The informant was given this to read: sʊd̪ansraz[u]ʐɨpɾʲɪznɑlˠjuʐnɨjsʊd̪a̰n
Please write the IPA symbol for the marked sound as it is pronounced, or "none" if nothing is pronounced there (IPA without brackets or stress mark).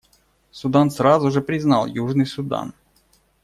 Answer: ʊ